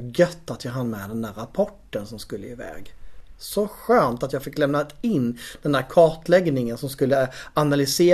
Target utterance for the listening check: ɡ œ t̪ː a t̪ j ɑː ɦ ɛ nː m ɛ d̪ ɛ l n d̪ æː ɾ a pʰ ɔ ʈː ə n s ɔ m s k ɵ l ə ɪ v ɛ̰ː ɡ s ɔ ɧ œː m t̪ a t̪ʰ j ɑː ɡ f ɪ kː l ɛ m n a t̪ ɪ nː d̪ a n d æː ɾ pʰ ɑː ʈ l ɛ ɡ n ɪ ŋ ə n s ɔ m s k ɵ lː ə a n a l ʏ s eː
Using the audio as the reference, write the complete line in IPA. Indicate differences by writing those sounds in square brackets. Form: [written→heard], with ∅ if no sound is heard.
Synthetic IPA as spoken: ɡ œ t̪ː a t̪ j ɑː ɦ [ɛ→a] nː m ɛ d̪ ɛ [l→∅] n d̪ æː ɾ a pʰ ɔ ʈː ə n s ɔ m s k ɵ [l→lː] ə ɪ v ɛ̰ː ɡ s ɔ ɧ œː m t̪ a [t̪ʰ→t̪] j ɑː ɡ f ɪ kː l ɛ m n a t̪ ɪ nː d̪ [a→ɛ] n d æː ɾ [pʰ→kʰ] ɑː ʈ l ɛ ɡ n ɪ ŋ ə n s ɔ m s k ɵ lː ə a n a l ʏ s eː